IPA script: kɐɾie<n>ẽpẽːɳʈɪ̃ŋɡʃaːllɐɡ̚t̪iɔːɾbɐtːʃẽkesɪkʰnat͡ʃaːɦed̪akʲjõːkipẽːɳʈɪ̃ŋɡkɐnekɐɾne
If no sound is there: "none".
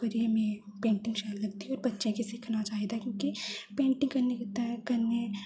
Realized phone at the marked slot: m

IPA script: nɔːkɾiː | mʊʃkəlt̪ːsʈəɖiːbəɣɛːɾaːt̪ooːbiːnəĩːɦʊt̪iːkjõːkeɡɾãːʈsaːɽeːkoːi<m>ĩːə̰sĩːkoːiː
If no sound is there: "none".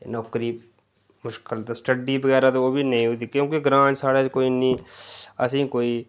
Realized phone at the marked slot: n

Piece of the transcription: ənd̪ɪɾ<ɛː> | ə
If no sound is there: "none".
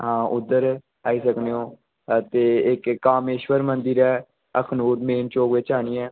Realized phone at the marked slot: ɛː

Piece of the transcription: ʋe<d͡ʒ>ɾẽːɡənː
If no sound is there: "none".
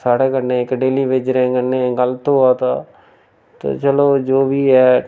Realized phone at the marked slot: d͡ʒ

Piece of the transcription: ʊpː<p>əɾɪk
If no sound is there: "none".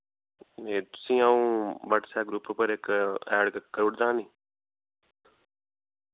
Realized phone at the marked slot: p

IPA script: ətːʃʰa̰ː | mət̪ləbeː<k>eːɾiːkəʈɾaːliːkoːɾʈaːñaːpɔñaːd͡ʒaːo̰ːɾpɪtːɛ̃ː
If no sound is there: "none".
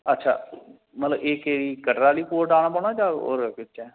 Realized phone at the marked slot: k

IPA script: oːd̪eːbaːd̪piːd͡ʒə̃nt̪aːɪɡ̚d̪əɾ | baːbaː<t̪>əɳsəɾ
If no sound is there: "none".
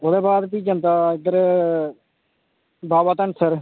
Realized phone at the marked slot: t̪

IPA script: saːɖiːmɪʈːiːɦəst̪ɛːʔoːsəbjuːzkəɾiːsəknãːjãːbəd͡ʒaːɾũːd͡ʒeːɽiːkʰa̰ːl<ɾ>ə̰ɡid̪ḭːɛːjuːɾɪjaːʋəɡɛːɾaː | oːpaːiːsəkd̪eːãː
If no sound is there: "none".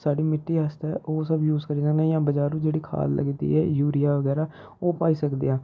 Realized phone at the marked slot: l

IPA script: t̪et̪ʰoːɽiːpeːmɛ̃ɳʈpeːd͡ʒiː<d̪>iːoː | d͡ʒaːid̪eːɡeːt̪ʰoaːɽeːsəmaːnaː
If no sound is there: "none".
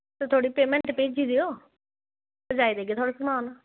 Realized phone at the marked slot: d̪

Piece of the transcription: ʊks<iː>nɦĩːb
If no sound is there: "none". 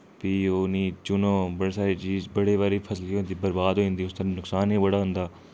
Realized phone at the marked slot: aː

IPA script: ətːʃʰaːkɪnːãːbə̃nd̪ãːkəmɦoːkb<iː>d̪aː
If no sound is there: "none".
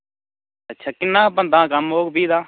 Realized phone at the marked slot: iː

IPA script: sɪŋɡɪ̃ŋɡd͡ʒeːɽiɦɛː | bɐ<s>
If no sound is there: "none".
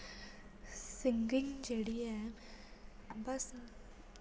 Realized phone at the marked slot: s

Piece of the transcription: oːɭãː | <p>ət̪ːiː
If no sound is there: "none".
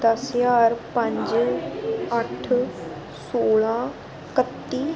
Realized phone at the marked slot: k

